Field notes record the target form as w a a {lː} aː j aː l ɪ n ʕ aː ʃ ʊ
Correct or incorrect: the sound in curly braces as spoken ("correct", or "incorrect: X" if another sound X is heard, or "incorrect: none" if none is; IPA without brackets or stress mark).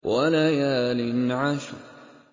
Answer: incorrect: l